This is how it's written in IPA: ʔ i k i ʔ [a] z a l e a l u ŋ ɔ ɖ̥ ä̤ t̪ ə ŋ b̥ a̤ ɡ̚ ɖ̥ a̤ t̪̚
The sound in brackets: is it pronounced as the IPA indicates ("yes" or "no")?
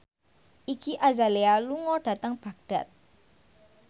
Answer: yes